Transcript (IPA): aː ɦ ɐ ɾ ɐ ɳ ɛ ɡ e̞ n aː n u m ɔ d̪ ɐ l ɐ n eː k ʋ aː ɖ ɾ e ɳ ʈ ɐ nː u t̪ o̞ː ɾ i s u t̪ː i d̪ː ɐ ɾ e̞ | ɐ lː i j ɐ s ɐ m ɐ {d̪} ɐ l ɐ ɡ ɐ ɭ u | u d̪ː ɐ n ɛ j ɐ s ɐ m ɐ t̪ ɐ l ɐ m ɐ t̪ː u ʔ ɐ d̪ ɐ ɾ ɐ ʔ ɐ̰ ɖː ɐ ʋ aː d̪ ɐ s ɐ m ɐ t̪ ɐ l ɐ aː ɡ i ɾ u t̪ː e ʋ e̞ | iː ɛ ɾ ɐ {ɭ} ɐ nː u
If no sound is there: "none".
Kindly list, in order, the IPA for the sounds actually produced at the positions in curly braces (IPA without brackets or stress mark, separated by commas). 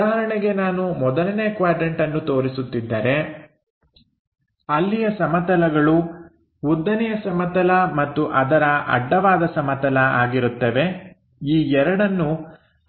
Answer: t̪, ɽ